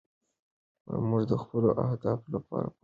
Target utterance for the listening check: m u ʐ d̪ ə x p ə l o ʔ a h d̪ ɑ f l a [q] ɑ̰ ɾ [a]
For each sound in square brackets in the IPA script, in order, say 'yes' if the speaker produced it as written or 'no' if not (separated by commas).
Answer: no, yes